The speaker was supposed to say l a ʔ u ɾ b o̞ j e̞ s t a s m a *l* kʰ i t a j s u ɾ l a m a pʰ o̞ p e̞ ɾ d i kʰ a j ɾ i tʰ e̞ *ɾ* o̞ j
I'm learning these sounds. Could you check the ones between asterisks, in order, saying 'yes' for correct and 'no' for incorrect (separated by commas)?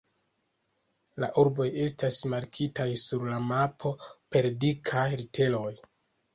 no, no